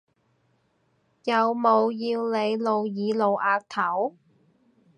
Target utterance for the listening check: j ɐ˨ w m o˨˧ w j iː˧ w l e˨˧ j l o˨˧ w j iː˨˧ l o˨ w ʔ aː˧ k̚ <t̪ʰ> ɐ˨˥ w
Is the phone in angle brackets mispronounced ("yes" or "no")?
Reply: no